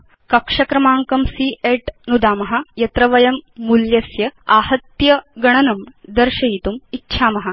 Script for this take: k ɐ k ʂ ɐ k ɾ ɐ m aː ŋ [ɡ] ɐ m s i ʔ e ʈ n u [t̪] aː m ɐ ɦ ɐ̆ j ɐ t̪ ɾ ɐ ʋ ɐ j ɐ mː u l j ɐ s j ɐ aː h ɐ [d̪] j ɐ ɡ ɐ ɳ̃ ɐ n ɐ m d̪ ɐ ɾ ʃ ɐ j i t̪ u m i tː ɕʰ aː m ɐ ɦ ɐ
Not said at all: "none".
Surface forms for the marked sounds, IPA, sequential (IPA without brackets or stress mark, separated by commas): k, d̪, t̪